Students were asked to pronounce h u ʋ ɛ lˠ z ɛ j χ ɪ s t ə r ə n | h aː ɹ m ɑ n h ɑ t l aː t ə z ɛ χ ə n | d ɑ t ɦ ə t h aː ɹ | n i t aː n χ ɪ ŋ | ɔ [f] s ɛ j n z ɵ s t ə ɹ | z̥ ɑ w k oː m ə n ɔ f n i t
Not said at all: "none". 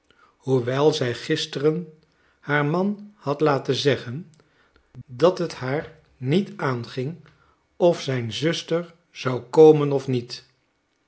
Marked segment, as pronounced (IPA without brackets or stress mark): f